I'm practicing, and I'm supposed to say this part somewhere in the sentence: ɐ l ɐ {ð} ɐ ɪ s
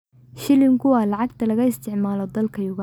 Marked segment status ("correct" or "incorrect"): incorrect